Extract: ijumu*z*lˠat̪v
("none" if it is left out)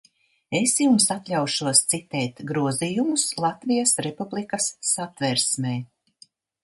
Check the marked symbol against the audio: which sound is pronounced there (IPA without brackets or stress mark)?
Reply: s